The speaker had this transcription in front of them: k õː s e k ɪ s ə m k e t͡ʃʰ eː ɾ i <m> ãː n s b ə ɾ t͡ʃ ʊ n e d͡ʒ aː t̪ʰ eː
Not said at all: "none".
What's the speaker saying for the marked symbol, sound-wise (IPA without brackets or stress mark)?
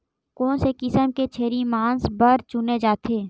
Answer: m